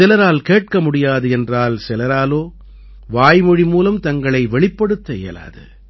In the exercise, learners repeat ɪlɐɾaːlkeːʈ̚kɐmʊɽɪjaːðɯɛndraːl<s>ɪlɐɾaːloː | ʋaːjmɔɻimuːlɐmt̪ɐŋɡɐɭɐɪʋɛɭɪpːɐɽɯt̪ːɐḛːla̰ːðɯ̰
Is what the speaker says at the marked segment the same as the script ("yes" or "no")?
yes